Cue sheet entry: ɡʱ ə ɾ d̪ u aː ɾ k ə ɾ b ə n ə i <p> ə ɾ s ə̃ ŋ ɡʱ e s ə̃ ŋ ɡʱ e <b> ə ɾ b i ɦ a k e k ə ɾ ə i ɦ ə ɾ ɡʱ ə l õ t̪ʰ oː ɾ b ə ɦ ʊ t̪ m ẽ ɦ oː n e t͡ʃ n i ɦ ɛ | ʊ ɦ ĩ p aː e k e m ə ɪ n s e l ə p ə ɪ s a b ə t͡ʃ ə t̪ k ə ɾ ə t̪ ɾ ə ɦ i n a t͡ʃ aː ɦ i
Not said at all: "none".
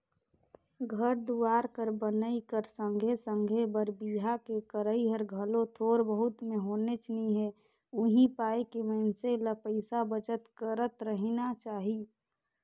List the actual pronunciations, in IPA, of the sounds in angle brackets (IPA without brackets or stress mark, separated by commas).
k, b